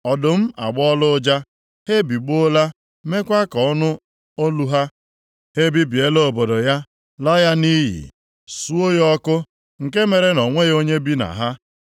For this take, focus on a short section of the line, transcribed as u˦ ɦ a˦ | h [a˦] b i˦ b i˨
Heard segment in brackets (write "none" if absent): e˦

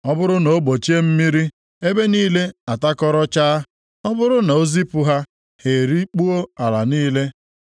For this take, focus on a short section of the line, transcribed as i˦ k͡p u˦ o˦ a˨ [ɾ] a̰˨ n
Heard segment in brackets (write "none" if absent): l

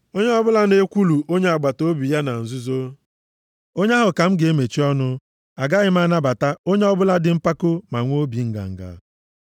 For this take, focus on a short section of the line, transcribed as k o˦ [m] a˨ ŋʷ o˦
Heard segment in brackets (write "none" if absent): m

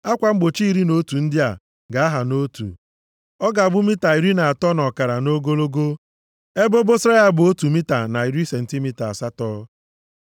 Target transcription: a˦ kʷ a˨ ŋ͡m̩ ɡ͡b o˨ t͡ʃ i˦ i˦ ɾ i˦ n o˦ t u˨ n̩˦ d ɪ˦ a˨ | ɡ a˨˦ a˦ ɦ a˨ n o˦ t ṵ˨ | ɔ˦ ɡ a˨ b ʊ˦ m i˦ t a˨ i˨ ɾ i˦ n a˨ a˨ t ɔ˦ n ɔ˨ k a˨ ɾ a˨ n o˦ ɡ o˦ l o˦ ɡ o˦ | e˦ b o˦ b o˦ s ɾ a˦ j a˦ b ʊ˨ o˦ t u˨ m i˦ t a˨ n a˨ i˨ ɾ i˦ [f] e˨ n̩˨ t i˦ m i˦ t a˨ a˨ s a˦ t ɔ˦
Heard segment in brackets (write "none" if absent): s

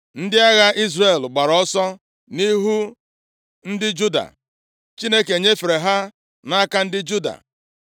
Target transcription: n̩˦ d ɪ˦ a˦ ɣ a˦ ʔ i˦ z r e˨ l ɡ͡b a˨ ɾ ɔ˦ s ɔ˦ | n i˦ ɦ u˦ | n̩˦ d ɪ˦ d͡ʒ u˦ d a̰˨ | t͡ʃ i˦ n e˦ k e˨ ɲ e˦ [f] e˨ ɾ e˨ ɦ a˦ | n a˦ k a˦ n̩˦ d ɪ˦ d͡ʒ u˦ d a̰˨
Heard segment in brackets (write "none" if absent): f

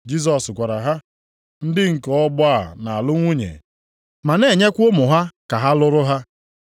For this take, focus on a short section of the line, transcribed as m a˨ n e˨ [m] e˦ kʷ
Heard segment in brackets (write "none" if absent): ɲ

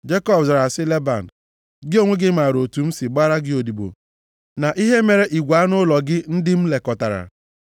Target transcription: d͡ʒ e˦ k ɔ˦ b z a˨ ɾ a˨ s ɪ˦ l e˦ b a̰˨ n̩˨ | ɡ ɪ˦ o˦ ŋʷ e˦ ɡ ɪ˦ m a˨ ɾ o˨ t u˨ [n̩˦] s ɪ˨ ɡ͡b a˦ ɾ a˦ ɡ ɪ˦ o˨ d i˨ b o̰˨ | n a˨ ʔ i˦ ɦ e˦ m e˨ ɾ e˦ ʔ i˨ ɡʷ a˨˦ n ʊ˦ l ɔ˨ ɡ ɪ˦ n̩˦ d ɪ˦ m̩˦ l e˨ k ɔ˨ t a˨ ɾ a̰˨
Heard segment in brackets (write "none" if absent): m̩˦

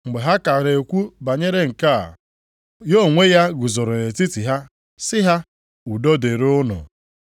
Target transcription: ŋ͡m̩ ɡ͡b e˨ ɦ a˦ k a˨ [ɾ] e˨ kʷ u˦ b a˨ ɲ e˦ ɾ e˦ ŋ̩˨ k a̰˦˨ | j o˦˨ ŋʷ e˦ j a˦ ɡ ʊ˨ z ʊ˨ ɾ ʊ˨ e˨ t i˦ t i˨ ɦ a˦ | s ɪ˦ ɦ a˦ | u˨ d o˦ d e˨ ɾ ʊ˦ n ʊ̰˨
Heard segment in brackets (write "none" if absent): ɾ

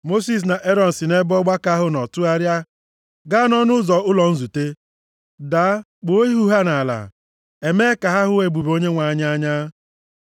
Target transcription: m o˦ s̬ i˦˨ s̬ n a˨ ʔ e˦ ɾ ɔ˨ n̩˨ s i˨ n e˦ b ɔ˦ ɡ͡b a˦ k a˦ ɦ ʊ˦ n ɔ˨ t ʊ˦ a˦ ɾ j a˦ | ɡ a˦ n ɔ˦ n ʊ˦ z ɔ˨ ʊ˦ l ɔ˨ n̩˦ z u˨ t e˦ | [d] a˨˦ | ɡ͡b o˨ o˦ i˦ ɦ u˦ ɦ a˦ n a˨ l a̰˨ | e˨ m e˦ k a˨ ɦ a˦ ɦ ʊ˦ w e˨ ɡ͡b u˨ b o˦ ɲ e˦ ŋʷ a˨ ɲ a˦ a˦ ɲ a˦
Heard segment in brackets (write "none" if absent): d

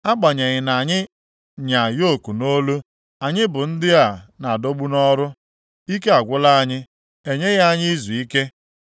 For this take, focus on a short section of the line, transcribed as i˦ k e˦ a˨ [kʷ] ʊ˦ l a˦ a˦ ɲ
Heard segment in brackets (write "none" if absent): ɡʷ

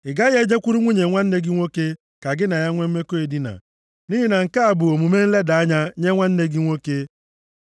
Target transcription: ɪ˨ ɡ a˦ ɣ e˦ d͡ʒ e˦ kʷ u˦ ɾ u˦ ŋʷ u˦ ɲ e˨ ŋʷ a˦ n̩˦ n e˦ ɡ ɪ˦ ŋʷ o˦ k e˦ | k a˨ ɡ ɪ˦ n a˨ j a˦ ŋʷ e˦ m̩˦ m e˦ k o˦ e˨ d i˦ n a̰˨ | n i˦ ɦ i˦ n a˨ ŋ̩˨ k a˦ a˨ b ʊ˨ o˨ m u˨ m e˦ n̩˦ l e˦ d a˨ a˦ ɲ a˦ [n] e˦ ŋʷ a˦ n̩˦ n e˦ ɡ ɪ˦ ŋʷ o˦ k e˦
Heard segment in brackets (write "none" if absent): ɲ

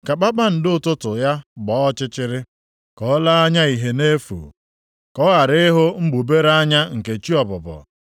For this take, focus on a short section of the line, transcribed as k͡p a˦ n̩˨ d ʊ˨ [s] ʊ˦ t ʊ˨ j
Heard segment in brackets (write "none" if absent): t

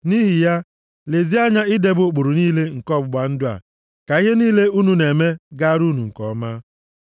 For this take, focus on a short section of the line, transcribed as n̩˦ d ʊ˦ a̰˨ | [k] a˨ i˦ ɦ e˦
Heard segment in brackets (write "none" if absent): k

